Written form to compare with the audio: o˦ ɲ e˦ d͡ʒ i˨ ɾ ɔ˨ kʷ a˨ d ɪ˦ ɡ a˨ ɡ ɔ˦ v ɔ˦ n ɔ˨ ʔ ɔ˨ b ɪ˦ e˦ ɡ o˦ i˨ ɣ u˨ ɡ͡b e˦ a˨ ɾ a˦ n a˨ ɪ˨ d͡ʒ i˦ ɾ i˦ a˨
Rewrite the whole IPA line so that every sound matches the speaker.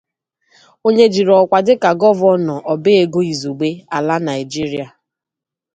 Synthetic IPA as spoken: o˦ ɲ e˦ d͡ʒ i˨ ɾ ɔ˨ kʷ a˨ d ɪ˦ k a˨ ɡ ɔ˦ v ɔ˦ n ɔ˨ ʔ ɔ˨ b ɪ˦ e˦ ɡ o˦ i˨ z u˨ ɡ͡b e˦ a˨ l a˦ n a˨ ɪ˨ d͡ʒ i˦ ɾ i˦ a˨